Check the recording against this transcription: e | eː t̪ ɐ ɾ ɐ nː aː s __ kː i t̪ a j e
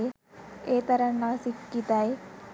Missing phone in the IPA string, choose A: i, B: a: A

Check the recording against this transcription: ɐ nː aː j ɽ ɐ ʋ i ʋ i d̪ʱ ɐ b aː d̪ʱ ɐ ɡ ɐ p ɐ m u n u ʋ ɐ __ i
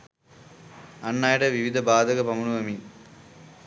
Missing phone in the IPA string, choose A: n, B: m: B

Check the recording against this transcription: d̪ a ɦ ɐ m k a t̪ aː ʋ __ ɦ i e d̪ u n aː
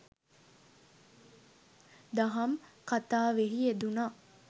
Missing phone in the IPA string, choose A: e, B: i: A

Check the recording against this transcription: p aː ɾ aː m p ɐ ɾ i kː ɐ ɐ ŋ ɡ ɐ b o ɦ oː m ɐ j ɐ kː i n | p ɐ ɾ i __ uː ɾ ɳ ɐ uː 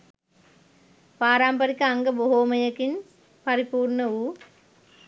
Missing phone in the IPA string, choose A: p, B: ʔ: A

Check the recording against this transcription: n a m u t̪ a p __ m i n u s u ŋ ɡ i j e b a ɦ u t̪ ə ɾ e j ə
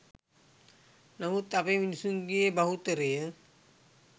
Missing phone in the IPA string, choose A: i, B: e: B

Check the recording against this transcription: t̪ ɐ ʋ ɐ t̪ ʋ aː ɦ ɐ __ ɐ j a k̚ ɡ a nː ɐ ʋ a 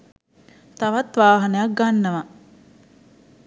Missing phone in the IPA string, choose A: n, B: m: A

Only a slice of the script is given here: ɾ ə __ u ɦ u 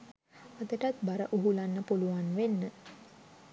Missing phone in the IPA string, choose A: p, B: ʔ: B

